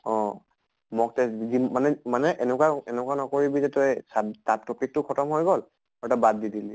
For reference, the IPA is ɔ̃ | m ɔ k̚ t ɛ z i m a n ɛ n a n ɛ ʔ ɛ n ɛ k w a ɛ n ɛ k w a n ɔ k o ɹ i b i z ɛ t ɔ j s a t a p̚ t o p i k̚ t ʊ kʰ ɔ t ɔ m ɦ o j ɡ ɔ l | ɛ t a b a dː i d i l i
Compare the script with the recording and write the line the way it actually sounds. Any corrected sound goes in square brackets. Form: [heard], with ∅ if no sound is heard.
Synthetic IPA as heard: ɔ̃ | m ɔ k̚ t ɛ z i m a n ɛ [m] a n ɛ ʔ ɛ n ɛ k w a ɛ n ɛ k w a n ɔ k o ɹ i b i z ɛ t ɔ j s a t a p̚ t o p i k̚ t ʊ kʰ ɔ t ɔ m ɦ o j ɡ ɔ l | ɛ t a b a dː i d i l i